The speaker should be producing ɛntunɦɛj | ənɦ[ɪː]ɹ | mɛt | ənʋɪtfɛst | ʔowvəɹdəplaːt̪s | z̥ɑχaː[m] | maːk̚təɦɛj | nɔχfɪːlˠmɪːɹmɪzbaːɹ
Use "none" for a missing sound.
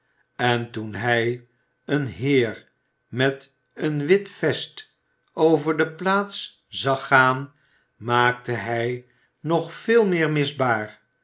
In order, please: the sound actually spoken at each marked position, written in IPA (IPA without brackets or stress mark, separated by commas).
ɪː, n